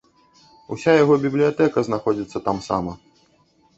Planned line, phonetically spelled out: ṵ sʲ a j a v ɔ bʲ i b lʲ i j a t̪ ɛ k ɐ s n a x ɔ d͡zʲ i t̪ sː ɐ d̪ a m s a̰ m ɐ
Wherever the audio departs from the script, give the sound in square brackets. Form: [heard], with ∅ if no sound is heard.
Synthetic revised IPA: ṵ sʲ a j a [ɣ] ɔ bʲ i b lʲ i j a t̪ ɛ k ɐ [z] n a x ɔ d͡zʲ i t̪ sː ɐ [t̪] a m s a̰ m ɐ